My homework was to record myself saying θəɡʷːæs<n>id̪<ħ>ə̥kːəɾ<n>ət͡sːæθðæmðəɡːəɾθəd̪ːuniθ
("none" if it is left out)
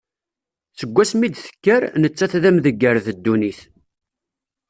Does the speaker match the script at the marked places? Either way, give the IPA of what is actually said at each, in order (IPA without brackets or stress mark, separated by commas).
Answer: m, θ, n